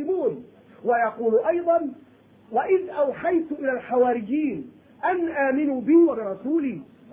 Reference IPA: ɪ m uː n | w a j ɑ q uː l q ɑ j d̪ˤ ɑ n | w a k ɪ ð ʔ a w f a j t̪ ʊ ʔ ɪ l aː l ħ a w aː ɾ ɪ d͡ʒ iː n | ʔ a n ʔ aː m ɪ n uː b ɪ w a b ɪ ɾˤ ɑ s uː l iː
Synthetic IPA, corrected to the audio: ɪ m uː n | w a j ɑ q uː l ʔ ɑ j d̪ˤ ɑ n | w a ʔ ɪ ð ʔ a w ħ a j t̪ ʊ ʔ ɪ l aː l ħ a w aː ɾ ɪ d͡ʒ iː n | ʔ a n ʔ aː m ɪ n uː b ɪ w a b ɪ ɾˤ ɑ s uː l iː